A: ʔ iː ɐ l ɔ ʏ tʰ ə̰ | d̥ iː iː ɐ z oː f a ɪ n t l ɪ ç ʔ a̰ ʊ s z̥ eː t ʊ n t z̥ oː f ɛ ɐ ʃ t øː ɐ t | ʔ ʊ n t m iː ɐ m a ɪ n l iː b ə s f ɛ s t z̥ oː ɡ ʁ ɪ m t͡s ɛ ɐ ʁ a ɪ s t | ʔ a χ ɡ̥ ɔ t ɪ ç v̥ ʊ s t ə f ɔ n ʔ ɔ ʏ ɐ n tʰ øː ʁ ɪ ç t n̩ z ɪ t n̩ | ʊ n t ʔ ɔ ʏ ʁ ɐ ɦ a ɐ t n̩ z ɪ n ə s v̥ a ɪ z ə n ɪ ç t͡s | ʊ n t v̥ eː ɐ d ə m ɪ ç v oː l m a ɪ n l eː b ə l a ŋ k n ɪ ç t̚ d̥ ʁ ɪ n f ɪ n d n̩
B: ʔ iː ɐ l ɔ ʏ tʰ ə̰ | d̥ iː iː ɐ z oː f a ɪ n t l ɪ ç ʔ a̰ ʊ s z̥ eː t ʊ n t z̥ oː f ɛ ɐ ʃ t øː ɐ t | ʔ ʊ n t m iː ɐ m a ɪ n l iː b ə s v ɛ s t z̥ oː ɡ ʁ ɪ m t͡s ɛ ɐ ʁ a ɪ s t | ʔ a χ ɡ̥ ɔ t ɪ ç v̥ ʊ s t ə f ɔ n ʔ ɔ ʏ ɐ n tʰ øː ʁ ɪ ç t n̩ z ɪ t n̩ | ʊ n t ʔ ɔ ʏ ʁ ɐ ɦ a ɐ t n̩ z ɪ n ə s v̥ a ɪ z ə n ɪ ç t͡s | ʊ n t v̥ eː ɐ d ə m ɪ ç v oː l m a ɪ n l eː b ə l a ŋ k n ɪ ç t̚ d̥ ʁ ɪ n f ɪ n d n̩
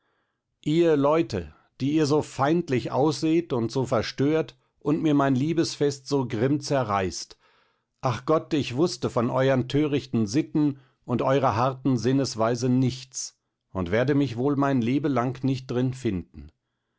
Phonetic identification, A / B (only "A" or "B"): A